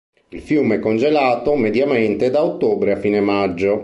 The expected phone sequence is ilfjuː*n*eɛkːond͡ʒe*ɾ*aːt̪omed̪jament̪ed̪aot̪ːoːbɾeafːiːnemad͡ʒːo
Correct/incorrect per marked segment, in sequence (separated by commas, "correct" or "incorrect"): incorrect, incorrect